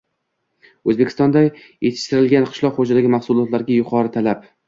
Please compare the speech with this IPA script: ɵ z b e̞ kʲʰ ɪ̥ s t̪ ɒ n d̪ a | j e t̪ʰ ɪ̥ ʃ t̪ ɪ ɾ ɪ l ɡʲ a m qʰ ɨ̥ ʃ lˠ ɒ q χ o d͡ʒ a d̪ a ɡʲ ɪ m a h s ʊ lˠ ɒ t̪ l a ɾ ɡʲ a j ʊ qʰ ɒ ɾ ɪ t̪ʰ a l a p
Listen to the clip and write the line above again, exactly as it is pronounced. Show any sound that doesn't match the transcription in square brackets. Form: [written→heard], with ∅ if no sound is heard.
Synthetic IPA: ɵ z b e̞ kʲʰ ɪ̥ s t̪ ɒ n d̪ a | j e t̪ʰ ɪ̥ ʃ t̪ ɪ ɾ ɪ l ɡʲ a [m→n] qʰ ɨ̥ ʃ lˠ ɒ q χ o d͡ʒ a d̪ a ɡʲ ɪ m a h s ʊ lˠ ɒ t̪ l a ɾ ɡʲ a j ʊ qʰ ɒ ɾ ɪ t̪ʰ a l a p